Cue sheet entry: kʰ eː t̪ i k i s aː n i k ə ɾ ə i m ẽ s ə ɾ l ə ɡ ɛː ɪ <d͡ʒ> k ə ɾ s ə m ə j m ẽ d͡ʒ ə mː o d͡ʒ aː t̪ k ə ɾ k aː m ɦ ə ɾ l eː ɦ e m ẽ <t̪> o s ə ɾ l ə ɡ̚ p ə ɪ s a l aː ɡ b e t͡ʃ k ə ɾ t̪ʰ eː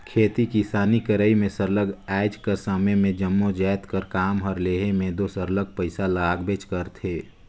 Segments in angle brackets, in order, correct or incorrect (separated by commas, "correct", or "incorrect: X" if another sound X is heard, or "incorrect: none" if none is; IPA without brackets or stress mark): correct, incorrect: d̪